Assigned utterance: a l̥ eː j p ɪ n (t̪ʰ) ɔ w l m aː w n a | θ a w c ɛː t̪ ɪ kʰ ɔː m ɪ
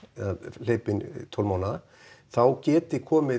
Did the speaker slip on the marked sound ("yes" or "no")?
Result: no